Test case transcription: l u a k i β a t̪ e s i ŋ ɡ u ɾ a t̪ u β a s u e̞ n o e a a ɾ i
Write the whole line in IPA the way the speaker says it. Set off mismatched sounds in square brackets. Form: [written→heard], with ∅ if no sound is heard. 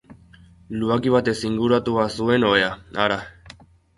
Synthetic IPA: l u a k i β a t̪ e s i ŋ ɡ u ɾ a t̪ u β a s u e̞ n o e a a ɾ [i→a]